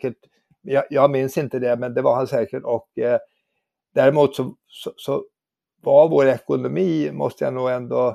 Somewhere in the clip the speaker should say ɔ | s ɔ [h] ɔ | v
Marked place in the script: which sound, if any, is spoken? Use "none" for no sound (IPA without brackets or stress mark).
s